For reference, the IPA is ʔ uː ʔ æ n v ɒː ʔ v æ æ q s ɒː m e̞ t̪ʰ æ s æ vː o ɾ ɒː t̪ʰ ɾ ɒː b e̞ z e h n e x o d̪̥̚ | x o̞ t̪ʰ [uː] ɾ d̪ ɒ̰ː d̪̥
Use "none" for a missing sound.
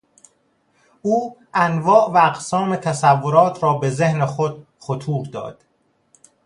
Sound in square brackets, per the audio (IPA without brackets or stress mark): uː